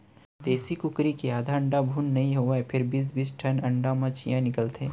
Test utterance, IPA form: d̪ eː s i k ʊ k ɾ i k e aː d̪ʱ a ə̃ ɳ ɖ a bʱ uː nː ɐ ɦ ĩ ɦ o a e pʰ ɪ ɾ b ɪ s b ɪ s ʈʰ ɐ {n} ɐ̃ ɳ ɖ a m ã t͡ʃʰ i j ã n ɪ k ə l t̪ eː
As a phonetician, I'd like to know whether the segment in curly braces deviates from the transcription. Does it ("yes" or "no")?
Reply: no